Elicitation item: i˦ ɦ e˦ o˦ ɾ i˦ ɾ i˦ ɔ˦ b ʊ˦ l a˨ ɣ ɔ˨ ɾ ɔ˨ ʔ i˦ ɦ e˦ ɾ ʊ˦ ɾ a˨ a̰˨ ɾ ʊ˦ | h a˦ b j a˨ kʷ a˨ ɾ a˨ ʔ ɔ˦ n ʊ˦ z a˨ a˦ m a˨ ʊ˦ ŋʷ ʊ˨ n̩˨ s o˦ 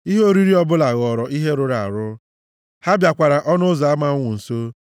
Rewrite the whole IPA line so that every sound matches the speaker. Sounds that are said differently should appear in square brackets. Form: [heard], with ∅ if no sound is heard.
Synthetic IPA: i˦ ɦ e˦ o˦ ɾ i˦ ɾ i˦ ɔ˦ b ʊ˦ l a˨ ɣ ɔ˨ ɾ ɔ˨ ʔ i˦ ɦ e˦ ɾ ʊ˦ ɾ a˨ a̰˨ ɾ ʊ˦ | h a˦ b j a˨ kʷ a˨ ɾ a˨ ʔ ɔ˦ n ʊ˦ z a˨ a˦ m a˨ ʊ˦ ŋʷ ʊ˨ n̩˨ s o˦